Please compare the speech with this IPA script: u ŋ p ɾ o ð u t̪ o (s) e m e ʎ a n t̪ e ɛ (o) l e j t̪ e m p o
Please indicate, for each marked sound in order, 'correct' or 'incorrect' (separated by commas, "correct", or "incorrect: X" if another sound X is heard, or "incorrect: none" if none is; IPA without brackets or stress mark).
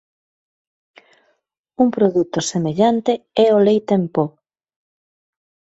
correct, correct